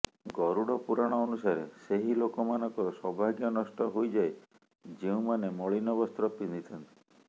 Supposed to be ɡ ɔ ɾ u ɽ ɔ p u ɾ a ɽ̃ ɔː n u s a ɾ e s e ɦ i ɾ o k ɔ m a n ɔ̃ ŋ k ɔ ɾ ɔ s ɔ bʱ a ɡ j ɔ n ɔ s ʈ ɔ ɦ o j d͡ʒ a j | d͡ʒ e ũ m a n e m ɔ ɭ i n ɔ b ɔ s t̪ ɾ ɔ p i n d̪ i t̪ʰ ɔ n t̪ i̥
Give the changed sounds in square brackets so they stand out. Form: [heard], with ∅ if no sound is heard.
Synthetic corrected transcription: ɡ ɔ ɾ u ɽ ɔ p u ɾ a ɽ̃ ɔː n u s a ɾ e s e ɦ i [l] o k ɔ m a n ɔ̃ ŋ k ɔ ɾ ɔ s ɔ bʱ a ɡ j ɔ n ɔ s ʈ ɔ ɦ o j d͡ʒ a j | d͡ʒ e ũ m a n e m ɔ ɭ i n ɔ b ɔ s t̪ ɾ ɔ p i n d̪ i t̪ʰ ɔ n t̪ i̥

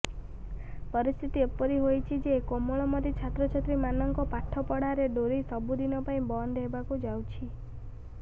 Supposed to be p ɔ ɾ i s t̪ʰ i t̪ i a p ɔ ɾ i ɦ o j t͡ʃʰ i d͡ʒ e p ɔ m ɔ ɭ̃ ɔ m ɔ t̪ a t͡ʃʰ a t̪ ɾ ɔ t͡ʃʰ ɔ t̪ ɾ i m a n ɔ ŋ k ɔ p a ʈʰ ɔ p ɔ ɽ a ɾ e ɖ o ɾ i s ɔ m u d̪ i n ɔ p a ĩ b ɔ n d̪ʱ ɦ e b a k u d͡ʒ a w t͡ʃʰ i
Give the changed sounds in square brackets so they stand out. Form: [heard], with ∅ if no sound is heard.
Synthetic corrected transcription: p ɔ ɾ i s t̪ʰ i t̪ i [e] p ɔ ɾ i ɦ o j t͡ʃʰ i d͡ʒ e [k] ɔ m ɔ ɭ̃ ɔ m ɔ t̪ [i] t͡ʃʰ a t̪ ɾ ɔ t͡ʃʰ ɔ t̪ ɾ i m a n ɔ ŋ k ɔ p a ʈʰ ɔ p ɔ ɽ a ɾ e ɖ o ɾ i s ɔ [b] u d̪ i n ɔ p a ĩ b ɔ n d̪ʱ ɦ e b a k u d͡ʒ a w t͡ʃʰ i

